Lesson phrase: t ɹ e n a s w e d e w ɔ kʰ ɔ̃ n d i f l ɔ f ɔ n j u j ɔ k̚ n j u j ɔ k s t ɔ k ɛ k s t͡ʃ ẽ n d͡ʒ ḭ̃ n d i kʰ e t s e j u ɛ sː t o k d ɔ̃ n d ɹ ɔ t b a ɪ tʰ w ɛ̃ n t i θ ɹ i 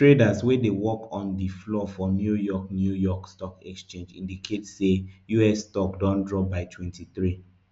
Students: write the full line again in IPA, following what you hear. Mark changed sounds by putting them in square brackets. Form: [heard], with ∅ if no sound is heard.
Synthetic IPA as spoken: t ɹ e [d] a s w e d e w ɔ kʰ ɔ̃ n d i f l ɔ f ɔ n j u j ɔ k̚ n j u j ɔ k s t ɔ k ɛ k s t͡ʃ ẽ n d͡ʒ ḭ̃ n d i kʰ e t s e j u ɛ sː t [ɔ] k d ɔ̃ n d ɹ ɔ [∅] b a ɪ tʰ w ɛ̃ n t i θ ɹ i